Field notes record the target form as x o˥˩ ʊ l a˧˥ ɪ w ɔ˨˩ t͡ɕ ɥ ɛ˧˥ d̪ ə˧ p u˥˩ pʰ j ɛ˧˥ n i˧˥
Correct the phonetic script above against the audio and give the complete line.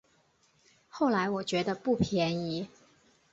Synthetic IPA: x o˥˩ ʊ l a˧˥ ɪ w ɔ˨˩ t͡ɕ ɥ ɛ˧˥ d̪ ə˧ p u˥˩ pʰ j ɛ˧˥ n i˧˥